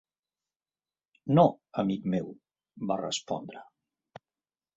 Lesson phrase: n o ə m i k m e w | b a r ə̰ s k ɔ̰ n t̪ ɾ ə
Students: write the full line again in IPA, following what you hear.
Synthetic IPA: n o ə m i k m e w | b a r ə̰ s p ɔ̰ n d̪ ɾ ə